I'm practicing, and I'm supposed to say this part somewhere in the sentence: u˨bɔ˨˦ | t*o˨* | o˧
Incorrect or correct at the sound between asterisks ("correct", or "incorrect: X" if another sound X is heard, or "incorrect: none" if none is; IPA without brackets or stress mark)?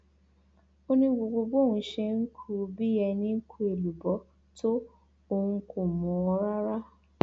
incorrect: o˦